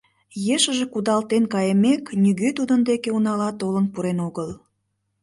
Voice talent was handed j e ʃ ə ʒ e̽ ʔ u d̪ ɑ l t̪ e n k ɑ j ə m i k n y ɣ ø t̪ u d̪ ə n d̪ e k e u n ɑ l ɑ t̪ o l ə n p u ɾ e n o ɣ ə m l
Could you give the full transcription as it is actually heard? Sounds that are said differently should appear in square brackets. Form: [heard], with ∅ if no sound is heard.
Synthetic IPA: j e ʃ ə ʒ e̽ [k] u d̪ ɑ l t̪ e n k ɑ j ə m [e] k n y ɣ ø t̪ u d̪ ə n d̪ e k e u n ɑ l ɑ t̪ o l ə n p u ɾ e n o ɣ ə [∅] l